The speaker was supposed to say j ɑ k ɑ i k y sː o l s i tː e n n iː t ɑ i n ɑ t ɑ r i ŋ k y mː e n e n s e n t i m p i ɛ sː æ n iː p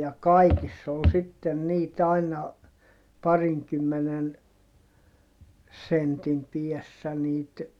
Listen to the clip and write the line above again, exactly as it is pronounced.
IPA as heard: j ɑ k ɑ i k i sː o l s i tː e n n iː t ɑ i n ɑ p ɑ r i ŋ k y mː e n e n s e n t i m p i ɛ sː æ n iː t

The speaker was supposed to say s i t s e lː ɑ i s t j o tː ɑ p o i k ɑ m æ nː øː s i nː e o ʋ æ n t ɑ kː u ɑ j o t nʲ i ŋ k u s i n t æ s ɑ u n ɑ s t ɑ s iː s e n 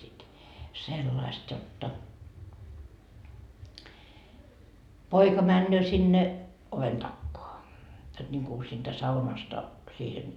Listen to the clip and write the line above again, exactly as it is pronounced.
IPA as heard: s i t s e lː ɑ i s t j o tː ɑ p o i k ɑ m æ nː øː s i nː e o ʋ e n t ɑ kː o ɑ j o t nʲ i ŋ k u s iː n t æ s ɑ u n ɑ s t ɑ s iː h e n

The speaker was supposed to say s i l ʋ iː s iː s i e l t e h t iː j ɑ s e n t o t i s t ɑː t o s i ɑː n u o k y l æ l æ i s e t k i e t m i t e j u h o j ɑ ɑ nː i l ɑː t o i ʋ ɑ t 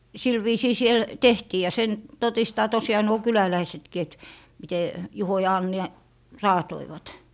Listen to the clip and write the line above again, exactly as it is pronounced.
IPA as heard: s i l ʋ iː s iː s i e l t e h t iː j ɑ s e n t o t i s t ɑː t o s i ɑː n u o k y l æ l æ i s e t k i e t m i t e j u h o j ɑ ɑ nː i r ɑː t o i ʋ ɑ t

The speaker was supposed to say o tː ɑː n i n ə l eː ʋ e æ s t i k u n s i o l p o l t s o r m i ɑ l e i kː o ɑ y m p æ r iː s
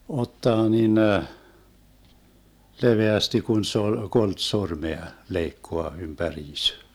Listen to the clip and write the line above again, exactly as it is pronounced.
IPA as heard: o tː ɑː n i n ə l e ʋ e æ s t i k u n s e o l k o l t s o r m e ɑ l e i kː o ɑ y m p æ r iː s

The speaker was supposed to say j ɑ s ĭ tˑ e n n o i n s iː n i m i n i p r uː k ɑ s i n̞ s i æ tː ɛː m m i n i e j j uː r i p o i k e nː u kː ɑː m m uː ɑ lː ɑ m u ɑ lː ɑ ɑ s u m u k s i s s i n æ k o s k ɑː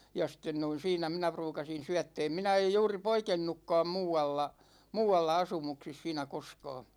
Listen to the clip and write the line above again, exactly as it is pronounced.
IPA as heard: j ɑ s ĭ tˑ e n n o i n s iː n æ m i n æ p r uː k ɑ s i n̞ s y æ tː ɛː m m i n æ e j j uː r i p o i k e nː u kː ɑː m m uː ɑ lː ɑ m uː ɑ lː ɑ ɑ s u m u k s i s s iː n æ k o s k ɑː

